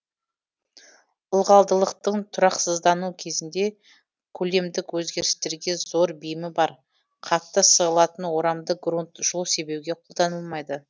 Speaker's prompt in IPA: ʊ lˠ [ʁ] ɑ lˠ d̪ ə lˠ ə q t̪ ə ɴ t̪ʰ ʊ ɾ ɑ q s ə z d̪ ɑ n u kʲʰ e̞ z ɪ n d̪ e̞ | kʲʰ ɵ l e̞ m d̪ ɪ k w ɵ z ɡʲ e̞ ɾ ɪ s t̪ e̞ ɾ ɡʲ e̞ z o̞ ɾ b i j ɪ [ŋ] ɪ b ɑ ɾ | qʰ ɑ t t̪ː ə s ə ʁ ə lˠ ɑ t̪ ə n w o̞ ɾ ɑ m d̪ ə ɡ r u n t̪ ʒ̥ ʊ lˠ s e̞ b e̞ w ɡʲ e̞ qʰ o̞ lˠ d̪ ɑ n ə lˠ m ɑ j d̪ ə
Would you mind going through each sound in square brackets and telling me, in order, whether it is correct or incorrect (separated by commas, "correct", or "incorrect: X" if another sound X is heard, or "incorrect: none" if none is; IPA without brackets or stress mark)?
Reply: correct, incorrect: m